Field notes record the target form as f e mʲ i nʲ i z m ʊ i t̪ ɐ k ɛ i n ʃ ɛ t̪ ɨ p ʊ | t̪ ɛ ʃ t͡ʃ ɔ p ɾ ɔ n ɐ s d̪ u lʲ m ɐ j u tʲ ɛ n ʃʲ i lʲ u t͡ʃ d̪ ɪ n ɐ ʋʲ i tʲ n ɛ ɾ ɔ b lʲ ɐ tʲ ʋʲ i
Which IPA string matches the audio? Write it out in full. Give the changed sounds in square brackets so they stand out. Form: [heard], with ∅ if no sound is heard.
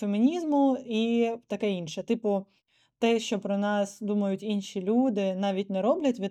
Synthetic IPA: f e mʲ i nʲ i z m ʊ i t̪ ɐ k ɛ i n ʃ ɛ t̪ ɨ p ʊ | t̪ ɛ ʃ t͡ʃ ɔ p ɾ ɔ n [ɑ] s d̪ u [∅] m ɐ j [ʊ] tʲ [i] n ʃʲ i lʲ u [∅] d̪ ɪ n [ɑ] ʋʲ i tʲ n ɛ ɾ ɔ b lʲ ɐ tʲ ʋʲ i